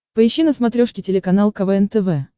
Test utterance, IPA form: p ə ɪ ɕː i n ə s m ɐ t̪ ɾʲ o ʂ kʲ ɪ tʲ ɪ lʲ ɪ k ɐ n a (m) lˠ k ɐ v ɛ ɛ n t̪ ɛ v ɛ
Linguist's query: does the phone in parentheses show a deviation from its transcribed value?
yes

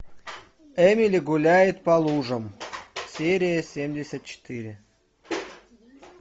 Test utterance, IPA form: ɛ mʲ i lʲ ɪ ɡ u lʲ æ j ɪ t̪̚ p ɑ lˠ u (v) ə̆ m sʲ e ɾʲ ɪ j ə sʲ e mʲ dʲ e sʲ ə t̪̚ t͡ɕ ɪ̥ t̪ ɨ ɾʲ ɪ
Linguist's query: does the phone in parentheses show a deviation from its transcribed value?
yes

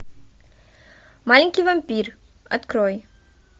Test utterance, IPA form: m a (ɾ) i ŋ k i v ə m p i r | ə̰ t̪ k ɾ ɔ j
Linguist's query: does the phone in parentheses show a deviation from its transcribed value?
yes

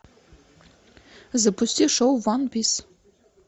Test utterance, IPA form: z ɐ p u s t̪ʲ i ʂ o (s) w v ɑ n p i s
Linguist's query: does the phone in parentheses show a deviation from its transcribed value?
yes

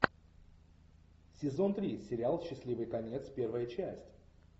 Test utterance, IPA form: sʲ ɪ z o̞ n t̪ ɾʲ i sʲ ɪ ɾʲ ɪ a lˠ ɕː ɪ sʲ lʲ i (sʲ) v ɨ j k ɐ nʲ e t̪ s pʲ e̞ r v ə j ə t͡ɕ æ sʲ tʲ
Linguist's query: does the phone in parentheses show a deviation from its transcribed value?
yes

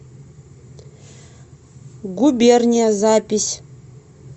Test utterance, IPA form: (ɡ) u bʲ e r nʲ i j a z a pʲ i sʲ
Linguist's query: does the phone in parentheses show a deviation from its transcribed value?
no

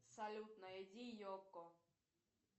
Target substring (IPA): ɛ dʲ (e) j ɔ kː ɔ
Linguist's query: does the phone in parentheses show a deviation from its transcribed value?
yes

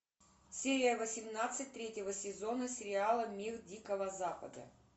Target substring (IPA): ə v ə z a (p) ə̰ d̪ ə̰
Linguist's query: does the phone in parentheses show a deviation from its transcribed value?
no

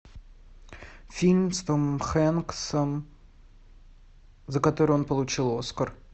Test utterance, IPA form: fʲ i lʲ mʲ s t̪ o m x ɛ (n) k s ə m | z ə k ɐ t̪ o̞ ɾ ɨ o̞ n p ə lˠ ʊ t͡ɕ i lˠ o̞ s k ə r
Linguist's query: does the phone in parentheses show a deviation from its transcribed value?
no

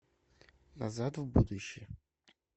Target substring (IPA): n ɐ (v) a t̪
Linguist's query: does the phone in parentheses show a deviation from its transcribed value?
yes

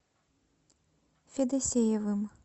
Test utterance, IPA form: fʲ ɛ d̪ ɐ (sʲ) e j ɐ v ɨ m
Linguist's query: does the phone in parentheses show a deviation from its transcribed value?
no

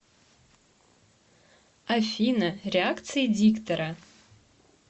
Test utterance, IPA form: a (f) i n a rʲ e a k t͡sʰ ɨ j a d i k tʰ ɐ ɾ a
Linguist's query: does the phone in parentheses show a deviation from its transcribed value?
no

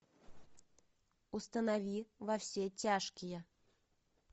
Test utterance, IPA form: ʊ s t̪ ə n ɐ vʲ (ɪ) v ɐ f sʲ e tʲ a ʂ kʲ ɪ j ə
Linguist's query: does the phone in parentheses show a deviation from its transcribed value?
yes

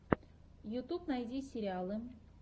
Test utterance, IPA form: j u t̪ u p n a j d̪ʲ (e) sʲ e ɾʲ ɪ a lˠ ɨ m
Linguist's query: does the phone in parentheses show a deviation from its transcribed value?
yes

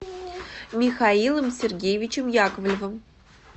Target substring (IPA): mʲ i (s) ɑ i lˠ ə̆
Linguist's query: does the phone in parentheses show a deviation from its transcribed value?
yes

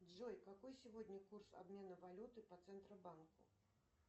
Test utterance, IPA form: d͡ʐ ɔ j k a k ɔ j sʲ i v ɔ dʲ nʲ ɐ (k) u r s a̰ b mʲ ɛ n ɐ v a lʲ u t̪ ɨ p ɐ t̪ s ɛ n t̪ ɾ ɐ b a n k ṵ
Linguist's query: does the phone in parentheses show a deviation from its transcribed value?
no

